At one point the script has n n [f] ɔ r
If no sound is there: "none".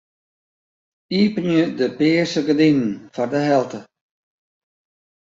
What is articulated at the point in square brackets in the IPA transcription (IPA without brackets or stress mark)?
f